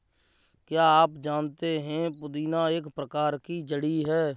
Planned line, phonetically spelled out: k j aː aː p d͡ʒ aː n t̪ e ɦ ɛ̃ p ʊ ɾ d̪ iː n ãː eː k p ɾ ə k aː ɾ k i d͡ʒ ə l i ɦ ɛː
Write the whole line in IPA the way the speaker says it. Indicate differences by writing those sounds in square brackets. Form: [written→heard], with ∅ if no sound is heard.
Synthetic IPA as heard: k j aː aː p d͡ʒ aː n t̪ e ɦ ɛ̃ p ʊ [ɾ→∅] d̪ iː n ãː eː k p ɾ ə k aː ɾ k i d͡ʒ ə [l→ɽ] i ɦ ɛː